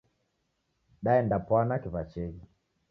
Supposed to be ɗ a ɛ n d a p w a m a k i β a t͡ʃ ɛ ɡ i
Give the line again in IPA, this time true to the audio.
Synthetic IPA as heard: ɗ a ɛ n d a p w a n a k i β a t͡ʃ ɛ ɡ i